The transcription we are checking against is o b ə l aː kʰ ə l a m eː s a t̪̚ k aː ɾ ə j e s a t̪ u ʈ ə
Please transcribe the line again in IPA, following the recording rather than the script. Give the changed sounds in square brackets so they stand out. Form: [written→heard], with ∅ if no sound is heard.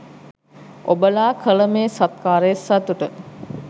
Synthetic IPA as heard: o b ə l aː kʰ ə l [a→ə] m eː s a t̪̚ k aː ɾ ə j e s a t̪ u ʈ ə